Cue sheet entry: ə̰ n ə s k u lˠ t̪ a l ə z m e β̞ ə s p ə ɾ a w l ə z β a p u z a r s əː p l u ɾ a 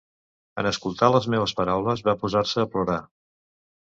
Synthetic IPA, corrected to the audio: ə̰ n ə s k u lˠ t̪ a l ə z m e β̞ ə s p ə ɾ a w l ə z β a p u z a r s əː p l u ɾ a